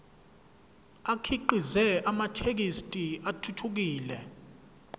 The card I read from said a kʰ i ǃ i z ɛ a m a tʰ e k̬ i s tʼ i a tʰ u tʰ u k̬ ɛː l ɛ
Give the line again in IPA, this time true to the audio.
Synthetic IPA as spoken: a kʰ i ǃ i z ɛ a m a tʰ e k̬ i s tʼ i a tʰ u tʰ u k̬ iː l ɛ